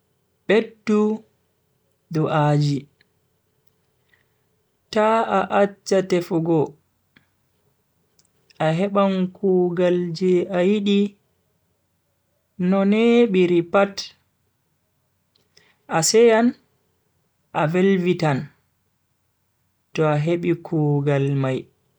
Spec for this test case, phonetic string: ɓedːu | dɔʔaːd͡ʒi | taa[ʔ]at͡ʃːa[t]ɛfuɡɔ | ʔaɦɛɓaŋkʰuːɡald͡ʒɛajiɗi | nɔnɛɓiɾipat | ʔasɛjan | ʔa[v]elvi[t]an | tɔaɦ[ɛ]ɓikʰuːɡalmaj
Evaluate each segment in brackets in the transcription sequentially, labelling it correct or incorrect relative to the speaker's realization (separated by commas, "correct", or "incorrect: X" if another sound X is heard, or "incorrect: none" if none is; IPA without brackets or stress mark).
correct, correct, correct, correct, incorrect: e